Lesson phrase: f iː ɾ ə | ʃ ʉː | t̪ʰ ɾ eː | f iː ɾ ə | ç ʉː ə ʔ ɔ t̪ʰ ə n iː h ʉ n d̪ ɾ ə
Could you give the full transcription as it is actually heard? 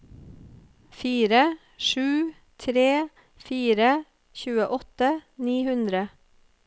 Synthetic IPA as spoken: f iː ɾ ə | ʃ ʉː | t̪ʰ ɾ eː | f iː ɾ ə | ç ʉː ə ʔ ɔ t̪ ə n iː h ʉ n d̪ ɾ ə